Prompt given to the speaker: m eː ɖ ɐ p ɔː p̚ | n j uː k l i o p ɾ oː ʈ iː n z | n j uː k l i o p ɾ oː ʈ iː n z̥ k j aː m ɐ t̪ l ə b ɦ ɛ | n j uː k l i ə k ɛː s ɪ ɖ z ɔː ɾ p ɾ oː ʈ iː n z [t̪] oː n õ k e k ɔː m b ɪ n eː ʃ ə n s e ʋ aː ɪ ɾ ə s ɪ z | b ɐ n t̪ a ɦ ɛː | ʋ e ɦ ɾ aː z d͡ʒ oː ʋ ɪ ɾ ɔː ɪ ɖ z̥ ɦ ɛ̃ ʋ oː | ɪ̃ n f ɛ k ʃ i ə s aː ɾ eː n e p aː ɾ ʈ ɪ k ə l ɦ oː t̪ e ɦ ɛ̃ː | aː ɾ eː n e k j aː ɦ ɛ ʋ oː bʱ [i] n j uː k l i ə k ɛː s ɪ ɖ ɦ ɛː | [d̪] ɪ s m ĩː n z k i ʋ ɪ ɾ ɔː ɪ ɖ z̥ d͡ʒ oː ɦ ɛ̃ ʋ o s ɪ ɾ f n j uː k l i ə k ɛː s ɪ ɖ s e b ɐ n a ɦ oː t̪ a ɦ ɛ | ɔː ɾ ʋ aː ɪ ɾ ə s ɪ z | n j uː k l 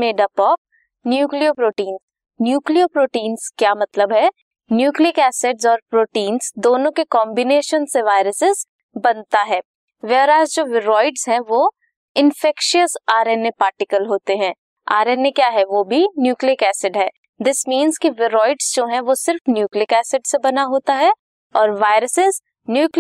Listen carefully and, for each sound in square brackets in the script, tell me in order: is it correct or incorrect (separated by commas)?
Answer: incorrect, correct, correct